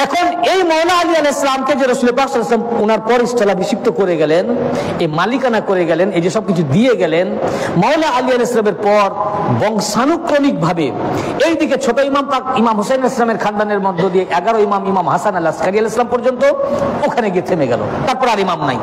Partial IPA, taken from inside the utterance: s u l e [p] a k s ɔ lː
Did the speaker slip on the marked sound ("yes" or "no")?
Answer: no